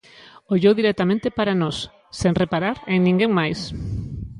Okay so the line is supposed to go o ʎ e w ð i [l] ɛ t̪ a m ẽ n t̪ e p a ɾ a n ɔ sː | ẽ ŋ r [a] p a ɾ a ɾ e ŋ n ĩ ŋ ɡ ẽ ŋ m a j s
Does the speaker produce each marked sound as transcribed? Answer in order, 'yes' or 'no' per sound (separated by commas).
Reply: no, no